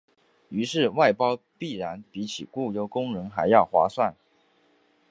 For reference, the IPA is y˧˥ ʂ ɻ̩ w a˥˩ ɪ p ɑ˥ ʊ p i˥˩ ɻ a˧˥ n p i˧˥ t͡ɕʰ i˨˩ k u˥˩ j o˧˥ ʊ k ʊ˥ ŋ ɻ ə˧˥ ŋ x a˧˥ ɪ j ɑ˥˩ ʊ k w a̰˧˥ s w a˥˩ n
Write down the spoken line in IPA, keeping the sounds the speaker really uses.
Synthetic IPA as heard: y˧˥ ʂ ɻ̩ w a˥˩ ɪ p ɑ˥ ʊ p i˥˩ ɻ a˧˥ n p i˧˥ t͡ɕʰ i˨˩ k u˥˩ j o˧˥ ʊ k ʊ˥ ŋ ɻ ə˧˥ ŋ x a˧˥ ɪ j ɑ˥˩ ʊ x w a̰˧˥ s w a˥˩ n